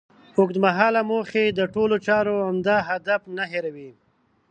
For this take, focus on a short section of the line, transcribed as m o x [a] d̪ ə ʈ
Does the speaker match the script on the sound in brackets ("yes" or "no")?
no